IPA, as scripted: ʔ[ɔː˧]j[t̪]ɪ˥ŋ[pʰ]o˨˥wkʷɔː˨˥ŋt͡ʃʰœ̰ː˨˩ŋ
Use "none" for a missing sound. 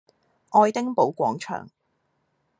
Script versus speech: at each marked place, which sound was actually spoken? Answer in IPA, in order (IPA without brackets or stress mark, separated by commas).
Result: ɔː˧, t̪, p